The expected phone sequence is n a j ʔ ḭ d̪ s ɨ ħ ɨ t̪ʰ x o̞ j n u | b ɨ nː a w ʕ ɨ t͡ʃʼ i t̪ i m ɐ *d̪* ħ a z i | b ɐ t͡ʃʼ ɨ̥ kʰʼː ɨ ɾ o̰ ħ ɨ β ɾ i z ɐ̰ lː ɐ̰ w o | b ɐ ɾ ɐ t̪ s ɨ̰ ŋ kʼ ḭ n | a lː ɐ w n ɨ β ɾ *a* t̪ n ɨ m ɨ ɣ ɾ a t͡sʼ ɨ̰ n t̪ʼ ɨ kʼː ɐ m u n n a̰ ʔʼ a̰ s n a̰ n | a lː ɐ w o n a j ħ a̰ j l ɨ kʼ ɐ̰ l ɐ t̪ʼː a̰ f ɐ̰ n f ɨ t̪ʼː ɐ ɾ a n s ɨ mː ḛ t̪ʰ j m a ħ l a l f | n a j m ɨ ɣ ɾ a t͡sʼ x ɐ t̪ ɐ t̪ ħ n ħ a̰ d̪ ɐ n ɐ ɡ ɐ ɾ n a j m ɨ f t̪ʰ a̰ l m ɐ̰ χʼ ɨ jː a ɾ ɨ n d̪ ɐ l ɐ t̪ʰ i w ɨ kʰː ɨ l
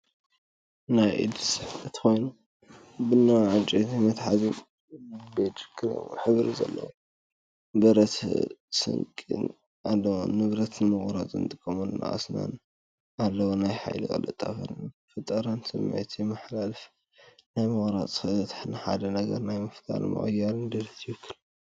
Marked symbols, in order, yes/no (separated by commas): no, no